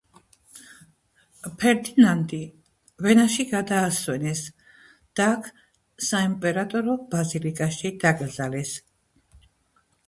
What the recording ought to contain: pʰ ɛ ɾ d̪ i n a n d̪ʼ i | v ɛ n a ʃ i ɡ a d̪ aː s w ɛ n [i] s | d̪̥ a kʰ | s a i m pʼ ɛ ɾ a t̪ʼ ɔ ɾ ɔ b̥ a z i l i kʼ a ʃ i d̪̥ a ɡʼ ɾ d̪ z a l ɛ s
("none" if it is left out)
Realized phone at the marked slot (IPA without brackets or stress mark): ɛ